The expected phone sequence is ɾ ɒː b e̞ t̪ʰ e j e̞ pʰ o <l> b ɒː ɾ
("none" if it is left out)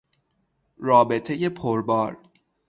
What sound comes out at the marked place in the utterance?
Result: ɾ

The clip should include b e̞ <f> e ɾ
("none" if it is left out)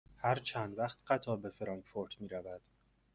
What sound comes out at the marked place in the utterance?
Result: f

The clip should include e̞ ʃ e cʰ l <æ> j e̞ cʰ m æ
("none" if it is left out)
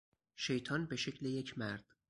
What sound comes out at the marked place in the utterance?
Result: e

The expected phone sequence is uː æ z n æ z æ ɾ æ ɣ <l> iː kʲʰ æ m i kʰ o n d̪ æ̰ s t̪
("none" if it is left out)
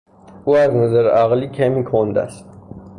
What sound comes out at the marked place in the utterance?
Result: l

